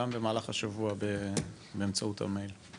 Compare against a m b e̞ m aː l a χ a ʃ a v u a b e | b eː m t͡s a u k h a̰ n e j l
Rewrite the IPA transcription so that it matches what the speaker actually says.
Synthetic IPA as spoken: a m b e̞ m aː l a χ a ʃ a v u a b e | b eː m t͡s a u t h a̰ m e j l